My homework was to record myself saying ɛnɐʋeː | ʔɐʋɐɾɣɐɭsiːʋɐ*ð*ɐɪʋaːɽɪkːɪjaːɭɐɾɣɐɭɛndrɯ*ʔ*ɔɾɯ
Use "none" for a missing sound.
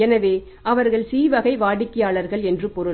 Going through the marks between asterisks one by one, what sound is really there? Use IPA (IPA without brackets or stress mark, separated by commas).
ɣ, p